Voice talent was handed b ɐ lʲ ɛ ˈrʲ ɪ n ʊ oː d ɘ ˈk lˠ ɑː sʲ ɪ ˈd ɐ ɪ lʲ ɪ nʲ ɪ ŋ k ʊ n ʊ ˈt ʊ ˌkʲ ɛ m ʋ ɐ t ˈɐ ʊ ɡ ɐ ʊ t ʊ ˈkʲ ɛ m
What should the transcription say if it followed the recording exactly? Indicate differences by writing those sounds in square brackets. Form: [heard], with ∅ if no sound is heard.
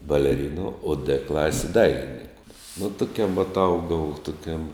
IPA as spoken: b ɐ lʲ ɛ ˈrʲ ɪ n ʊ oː d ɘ ˈk lˠ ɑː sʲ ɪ ˈd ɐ ɪ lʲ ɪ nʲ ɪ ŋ k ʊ n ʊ ˈt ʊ ˌkʲ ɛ m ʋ ɐ t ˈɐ ʊ ɡ ɐ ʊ t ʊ ˈkʲ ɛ m